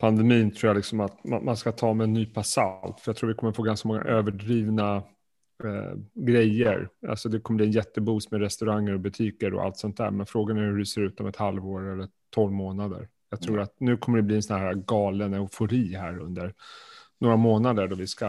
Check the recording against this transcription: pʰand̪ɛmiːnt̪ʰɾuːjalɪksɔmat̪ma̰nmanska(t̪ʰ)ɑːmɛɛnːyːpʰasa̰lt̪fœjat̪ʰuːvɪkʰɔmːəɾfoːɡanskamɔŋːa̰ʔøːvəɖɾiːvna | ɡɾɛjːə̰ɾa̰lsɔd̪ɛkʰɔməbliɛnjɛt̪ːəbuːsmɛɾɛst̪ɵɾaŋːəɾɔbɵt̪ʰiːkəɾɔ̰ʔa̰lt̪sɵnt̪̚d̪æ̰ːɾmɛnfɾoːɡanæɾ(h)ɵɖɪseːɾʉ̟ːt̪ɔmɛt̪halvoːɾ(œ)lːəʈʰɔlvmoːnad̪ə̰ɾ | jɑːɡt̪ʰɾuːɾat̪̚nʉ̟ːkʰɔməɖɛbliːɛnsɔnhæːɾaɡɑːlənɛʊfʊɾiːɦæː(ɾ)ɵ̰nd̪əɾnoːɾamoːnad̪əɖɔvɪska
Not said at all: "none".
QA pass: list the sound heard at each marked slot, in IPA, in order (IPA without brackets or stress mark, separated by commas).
t̪ʰ, h, ɛ, ɾ